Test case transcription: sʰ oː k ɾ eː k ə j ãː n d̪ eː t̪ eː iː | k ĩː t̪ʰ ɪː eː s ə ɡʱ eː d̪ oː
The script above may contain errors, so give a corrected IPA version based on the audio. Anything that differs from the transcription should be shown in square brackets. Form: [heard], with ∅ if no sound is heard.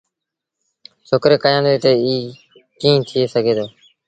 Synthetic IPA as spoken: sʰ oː k ɾ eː k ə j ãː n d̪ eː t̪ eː iː | k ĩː t̪ʰ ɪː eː s ə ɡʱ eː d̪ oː

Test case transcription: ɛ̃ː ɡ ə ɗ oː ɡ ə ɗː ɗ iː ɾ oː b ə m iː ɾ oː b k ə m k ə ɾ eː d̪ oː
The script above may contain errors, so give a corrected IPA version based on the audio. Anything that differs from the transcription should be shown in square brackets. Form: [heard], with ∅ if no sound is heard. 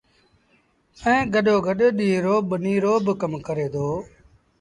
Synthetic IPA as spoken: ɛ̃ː ɡ ə ɗ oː ɡ ə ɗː ɗ iː ɾ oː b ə [n] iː ɾ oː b k ə m k ə ɾ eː d̪ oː

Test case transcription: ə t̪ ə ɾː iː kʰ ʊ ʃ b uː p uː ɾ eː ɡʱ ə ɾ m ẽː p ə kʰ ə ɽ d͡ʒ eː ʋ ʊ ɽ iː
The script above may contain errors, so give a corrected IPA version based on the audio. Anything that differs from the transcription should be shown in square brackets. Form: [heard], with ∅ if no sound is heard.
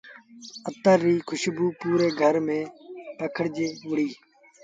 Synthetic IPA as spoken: ə t̪ ə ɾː iː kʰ ʊ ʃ b uː p uː ɾ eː ɡʱ ə ɾ m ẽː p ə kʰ ə ɽ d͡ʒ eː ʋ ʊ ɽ iː

